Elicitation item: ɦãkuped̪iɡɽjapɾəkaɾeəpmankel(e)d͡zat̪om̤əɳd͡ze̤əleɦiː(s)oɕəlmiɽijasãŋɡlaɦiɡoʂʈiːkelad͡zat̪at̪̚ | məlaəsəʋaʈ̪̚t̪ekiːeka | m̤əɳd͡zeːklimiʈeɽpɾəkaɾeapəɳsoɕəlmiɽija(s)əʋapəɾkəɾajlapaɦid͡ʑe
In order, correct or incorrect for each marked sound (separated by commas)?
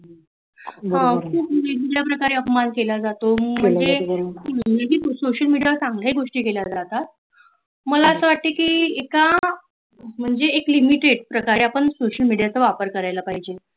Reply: incorrect, correct, incorrect